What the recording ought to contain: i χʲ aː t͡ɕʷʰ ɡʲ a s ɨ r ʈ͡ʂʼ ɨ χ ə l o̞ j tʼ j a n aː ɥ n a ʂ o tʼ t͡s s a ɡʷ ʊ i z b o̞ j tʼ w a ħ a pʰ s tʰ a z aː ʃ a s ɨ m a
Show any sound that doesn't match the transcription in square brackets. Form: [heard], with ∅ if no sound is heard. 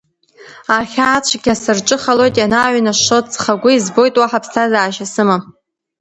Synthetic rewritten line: [a] χʲ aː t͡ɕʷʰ ɡʲ a s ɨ r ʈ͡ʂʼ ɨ χ [a] l o̞ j tʼ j a n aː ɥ n a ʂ o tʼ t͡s [χ] a ɡʷ ʊ i z b o̞ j tʼ w a ħ a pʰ s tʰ a z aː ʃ a s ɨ m a